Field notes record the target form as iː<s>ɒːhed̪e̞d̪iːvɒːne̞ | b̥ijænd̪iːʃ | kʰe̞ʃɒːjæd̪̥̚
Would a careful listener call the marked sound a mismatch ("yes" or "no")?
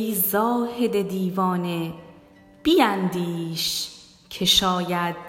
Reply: yes